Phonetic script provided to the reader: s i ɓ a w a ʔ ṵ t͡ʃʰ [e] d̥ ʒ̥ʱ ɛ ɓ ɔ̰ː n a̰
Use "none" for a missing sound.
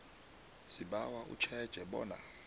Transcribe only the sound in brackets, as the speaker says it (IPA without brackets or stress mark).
ɛ